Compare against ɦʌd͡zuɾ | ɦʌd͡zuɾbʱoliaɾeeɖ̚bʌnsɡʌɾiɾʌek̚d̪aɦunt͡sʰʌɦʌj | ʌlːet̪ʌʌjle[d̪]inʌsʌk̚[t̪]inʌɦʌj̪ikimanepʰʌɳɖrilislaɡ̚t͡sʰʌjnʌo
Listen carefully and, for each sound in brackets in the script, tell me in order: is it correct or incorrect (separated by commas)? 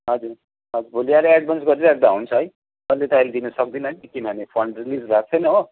correct, incorrect